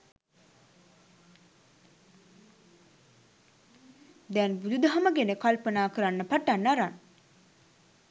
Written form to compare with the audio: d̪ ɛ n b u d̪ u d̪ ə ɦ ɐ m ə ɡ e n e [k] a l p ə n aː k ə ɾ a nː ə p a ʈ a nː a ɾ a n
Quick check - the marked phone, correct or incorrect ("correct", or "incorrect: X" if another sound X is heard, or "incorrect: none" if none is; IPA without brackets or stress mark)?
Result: correct